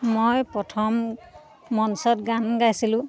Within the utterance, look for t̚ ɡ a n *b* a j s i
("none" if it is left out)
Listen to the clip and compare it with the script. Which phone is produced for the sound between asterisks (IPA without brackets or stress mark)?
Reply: ɡ